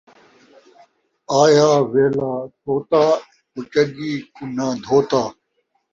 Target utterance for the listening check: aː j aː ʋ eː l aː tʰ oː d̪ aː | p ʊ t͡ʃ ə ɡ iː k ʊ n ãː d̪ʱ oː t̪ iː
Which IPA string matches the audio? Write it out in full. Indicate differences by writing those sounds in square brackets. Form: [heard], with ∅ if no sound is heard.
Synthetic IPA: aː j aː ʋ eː l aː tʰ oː [t̪] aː | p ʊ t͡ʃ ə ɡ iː k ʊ n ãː d̪ʱ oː t̪ [aː]